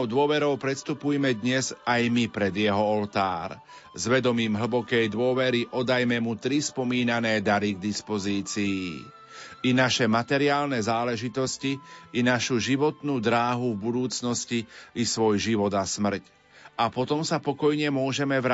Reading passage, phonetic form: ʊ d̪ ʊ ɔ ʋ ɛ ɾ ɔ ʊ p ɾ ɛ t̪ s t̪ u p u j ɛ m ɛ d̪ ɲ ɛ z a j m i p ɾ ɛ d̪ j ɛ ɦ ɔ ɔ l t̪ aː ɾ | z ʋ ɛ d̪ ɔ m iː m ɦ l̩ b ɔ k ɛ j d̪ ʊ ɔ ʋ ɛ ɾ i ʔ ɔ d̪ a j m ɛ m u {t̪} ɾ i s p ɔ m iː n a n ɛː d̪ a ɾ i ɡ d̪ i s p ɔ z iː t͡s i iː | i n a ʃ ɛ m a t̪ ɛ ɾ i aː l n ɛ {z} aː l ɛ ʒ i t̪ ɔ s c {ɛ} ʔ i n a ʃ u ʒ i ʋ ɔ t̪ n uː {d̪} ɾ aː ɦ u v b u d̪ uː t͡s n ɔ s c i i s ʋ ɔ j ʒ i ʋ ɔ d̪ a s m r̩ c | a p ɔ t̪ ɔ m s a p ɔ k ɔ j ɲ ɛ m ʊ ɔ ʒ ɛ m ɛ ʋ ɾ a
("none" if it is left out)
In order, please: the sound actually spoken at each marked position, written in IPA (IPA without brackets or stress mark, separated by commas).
t̪, z, i, d̪